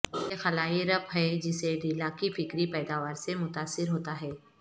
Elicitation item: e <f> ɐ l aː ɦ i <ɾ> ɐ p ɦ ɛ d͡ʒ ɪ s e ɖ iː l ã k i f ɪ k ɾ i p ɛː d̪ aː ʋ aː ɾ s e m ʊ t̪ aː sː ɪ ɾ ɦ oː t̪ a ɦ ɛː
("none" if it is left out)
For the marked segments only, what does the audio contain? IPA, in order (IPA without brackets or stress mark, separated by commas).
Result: x, ɾ